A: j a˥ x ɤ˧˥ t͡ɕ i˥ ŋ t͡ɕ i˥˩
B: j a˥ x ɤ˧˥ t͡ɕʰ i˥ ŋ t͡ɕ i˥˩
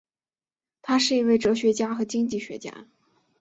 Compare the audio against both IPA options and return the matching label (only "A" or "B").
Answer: A